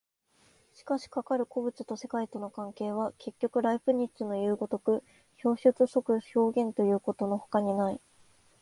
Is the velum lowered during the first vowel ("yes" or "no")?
no